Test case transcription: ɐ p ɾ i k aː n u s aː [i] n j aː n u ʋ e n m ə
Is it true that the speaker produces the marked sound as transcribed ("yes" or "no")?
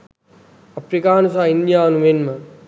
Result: yes